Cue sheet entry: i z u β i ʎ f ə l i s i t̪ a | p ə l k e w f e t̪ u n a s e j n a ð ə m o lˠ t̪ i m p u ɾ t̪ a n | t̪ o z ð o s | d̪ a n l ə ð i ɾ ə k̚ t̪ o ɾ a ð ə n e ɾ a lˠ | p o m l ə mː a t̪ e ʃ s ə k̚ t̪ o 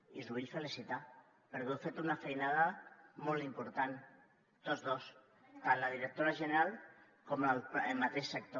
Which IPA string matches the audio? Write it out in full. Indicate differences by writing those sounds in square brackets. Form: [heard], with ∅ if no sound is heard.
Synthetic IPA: i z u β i ʎ f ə l i s i t̪ a | p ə [ɾ] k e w f e t̪ u n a [f] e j n a ð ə m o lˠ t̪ i m p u ɾ t̪ a n | t̪ o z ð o s | [t̪] a n l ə ð i ɾ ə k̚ t̪ o ɾ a [ʒ] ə n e ɾ a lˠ | [k] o m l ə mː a t̪ e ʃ s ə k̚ t̪ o